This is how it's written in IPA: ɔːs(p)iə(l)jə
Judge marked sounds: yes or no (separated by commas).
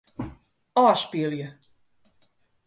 yes, yes